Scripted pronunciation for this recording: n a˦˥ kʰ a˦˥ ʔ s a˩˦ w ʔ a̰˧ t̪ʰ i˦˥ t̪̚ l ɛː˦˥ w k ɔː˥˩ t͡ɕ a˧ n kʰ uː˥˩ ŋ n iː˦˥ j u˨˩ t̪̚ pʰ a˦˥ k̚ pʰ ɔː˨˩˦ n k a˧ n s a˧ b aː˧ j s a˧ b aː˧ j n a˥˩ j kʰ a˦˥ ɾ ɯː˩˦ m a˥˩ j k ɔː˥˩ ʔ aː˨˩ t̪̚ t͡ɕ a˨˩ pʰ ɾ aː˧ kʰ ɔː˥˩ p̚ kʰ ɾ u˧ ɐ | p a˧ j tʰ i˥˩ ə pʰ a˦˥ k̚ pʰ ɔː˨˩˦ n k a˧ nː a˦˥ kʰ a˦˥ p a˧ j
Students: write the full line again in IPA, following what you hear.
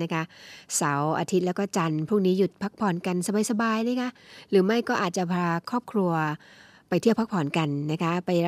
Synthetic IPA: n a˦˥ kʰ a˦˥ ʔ s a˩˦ w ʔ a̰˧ t̪ʰ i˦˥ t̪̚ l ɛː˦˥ w k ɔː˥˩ t͡ɕ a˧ n pʰ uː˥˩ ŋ n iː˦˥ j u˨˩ t̪̚ pʰ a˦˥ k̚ pʰ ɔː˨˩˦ n k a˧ n s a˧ b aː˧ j s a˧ b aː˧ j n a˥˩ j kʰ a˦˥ ɾ ɯː˩˦ m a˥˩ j k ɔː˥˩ ʔ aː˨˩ t̪̚ t͡ɕ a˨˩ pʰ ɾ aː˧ kʰ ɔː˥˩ p̚ kʰ ɾ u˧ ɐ | p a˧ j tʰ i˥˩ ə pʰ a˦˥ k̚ pʰ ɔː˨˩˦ n k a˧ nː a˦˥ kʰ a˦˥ p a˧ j